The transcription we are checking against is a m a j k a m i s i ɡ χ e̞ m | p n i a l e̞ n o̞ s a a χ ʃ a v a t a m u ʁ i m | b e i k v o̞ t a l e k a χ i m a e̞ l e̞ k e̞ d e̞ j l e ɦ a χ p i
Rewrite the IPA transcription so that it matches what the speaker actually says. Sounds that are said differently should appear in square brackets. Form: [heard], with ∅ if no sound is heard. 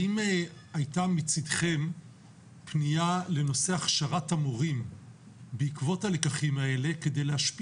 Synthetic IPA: [i] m a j [t] a m i [t͡s] i [d] χ e̞ m | p n i a l e̞ n o̞ s [e] a χ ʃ a [ʁ] a t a m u ʁ i m | b e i k v o̞ t a l e k a χ i m a e̞ l e̞ k e̞ d e̞ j l e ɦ a [ʃ] p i

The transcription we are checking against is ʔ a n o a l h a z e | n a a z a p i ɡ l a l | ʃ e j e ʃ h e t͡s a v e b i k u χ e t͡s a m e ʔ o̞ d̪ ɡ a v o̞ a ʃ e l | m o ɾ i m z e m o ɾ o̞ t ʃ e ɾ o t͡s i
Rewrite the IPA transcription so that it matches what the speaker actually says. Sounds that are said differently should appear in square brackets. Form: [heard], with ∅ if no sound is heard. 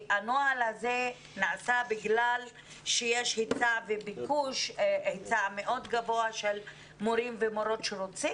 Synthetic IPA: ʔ a n o a l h a z e | n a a [s] a [b] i ɡ l a l | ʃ e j e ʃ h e t͡s a v e b i k u [ʃ] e t͡s a m e ʔ o̞ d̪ ɡ a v o̞ a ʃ e l | m o ɾ i m [v] e m o ɾ o̞ t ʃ e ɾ o t͡s i

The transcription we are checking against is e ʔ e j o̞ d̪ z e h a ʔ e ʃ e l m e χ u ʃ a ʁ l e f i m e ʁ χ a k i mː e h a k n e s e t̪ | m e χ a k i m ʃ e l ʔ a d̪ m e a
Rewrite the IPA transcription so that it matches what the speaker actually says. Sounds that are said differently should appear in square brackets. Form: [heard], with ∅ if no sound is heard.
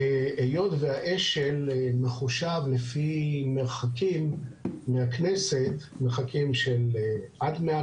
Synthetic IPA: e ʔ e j o̞ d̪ [v] e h a ʔ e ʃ e l m e χ u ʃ a [v] l e f i m e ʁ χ a k i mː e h a k n e s e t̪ | m e χ a k i m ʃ e l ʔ a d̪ m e a

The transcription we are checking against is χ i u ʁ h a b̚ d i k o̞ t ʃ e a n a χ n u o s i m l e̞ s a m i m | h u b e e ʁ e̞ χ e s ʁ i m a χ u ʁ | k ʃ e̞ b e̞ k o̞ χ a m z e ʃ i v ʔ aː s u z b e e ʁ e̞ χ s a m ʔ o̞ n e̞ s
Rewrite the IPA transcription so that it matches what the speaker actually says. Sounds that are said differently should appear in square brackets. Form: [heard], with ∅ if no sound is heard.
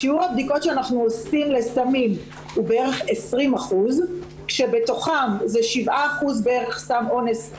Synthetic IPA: [ʃ] i u ʁ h a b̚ d i k o̞ t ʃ e a n a χ n u o s i m l e̞ s a m i m | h u b e e ʁ e̞ χ e s ʁ i m a χ u [z] | k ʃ e̞ b e̞ [t] o̞ χ a m z e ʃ i v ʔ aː [χ] u z b e e ʁ e̞ χ s a m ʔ o̞ n e̞ s

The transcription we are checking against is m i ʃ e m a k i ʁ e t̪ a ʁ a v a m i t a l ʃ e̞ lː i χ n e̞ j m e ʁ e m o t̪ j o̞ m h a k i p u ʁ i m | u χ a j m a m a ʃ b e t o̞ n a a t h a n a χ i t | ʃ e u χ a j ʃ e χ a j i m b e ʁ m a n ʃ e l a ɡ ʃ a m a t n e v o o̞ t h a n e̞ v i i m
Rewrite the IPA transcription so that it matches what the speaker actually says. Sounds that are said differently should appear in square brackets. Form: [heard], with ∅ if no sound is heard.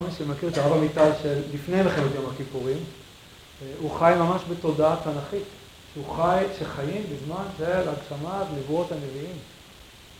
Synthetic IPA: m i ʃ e m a k i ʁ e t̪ a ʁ a v a m i t a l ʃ e̞ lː i [f] n e̞ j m e [χ] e m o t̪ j o̞ m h a k i p u ʁ i m | u χ a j m a m a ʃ b e t o̞ [d] a a t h a n a χ i t | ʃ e u χ a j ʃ e χ a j i m b e [z] m a n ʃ e l a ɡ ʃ a m a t n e v [u] o̞ t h a n e̞ v i i m

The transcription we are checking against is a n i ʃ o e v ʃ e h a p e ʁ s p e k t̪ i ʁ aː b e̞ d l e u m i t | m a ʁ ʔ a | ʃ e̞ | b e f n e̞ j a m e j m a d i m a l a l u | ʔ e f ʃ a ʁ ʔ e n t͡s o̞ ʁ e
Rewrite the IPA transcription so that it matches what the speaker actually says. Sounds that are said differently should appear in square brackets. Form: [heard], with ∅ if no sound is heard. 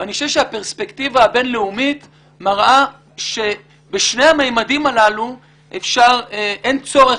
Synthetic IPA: a n i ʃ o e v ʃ e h a p e ʁ s p e k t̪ i [v] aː b e̞ [n] l e u m i t | m a ʁ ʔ a | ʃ e̞ | b e [ʃ] n e̞ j a m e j m a d i m a l a l u | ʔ e f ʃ a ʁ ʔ e n t͡s o̞ ʁ e

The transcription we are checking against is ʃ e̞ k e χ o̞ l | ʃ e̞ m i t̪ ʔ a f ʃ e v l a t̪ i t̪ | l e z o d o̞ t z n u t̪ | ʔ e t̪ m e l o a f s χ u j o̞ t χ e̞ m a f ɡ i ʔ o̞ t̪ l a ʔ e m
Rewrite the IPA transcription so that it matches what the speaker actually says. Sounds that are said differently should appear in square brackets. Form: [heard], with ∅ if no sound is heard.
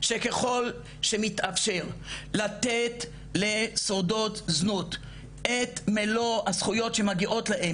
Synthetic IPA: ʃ e̞ k e χ o̞ l | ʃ e̞ m i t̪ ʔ a f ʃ e [ʁ] l a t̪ [e] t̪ | l e [s] o d o̞ t z n u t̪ | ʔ e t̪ m e l o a [∅] s χ u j o̞ t [ʃ] e̞ m a [∅] ɡ i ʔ o̞ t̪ l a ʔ e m

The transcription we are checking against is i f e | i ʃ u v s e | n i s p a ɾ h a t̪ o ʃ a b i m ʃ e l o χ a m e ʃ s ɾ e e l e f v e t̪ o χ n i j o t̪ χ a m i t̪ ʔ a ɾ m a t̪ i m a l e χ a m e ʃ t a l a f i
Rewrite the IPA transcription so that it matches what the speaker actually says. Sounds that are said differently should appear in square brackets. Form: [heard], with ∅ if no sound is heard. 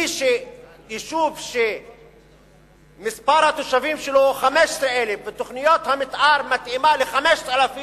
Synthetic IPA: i [ʃ] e | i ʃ u v [ʃ] e | [m] i s p a ɾ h a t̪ o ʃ a [v] i m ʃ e l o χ a m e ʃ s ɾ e e l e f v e t̪ o χ n i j o t̪ [h] a m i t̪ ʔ a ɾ m a t̪ i m a l e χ a m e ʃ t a l a f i

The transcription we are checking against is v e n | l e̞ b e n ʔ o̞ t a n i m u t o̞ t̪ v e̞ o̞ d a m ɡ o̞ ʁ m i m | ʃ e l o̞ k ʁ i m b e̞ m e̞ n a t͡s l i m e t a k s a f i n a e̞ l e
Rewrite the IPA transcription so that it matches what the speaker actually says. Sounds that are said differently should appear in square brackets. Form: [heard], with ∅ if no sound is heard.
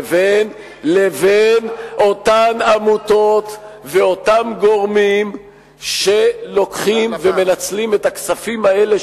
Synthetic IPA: v e n | l e̞ [v] e n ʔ o̞ t a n [a] m u t o̞ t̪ v e̞ o̞ [t] a m ɡ o̞ ʁ m i m | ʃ e l o̞ k [χ] i m [v] e̞ m e̞ n a t͡s l i m e t a k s a f i [m] a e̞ l e

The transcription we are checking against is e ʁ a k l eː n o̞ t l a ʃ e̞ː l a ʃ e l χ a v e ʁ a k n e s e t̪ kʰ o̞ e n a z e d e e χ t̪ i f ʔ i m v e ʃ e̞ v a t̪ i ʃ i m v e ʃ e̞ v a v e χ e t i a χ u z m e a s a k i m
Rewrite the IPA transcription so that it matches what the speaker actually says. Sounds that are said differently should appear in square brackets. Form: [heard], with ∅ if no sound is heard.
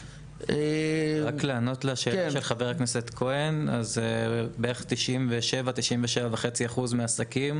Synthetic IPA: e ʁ a k l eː n o̞ t l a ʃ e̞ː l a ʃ e l χ a v e ʁ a k n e s e t̪ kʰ o̞ e n a z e [b] e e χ t̪ i [ʃ] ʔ i m v e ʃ e̞ v a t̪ i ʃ i m v e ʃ e̞ v a v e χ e [t͡s] i a χ u z m e a s a k i m

